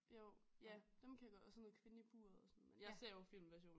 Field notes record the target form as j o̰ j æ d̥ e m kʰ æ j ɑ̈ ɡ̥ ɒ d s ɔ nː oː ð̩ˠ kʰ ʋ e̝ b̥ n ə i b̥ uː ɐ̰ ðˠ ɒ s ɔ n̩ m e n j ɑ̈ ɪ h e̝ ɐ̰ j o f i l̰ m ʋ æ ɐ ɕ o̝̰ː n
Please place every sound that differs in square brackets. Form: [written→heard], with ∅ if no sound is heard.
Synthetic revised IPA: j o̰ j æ d̥ e m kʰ æ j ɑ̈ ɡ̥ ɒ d s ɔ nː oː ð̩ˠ kʰ ʋ e̝ [b̥→∅] n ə i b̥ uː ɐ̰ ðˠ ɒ s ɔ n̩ m e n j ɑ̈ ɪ [h→s] e̝ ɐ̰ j o f i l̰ m ʋ æ ɐ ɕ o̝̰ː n